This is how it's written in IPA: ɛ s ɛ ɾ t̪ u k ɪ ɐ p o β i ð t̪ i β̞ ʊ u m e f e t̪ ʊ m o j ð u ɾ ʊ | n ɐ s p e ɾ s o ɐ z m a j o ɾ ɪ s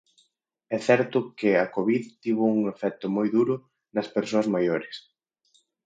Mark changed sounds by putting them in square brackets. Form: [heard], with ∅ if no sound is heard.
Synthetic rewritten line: ɛ [θ] ɛ ɾ t̪ [ʊ] k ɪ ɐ [k] o β i ð t̪ i β̞ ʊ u [ŋ] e f [ɛ] t̪ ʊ m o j ð u ɾ ʊ | n ɐ s p e ɾ s o ɐ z m a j o ɾ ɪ s